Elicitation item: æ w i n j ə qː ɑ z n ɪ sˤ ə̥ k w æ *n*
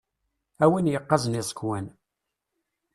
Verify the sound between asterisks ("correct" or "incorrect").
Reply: correct